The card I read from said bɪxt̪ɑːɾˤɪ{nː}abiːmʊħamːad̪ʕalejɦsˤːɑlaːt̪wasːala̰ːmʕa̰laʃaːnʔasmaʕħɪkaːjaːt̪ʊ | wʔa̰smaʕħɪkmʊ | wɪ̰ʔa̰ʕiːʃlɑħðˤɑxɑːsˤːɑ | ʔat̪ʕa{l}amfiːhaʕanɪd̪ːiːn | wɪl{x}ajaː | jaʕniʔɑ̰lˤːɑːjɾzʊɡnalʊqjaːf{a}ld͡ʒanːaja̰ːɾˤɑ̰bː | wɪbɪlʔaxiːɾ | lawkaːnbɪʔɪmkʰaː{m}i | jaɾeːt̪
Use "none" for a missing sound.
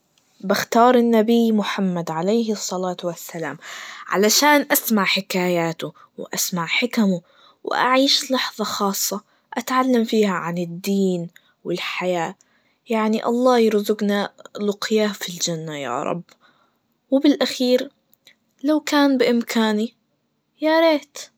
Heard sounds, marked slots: nː, lː, ħ, i, n

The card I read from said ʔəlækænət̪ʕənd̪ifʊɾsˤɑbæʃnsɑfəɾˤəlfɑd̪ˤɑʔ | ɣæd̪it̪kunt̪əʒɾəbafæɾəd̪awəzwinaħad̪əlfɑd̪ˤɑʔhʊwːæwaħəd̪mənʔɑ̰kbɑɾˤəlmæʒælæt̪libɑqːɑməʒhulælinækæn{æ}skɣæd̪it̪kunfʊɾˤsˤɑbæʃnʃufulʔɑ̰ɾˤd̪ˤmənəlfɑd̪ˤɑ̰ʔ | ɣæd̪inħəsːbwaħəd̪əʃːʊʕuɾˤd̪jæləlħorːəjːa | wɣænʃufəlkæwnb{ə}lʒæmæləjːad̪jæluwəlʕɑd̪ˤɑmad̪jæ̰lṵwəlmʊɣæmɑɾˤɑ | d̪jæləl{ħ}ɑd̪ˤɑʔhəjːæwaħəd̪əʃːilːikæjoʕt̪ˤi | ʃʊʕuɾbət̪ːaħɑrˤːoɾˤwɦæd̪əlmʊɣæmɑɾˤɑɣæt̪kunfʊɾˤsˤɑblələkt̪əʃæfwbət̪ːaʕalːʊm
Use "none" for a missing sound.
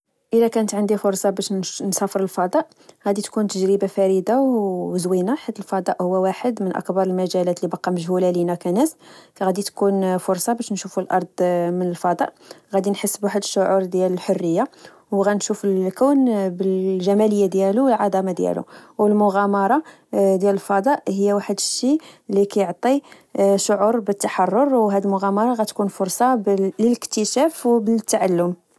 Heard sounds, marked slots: æ, ə, f

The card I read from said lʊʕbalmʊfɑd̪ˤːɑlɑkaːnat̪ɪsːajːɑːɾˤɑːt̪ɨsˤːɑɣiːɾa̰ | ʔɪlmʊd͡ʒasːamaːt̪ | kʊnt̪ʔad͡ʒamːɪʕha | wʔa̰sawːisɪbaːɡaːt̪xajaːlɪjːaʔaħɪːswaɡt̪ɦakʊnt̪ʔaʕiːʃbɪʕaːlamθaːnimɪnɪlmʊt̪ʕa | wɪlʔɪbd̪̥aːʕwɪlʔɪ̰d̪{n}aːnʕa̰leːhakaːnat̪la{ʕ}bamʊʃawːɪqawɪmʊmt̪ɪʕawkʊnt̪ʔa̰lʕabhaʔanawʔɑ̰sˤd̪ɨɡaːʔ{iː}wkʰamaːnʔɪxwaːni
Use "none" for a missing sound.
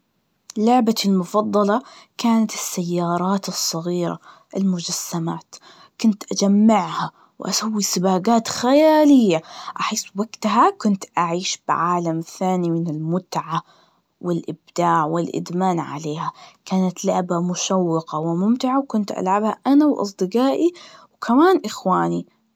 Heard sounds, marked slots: m, ʕ, i

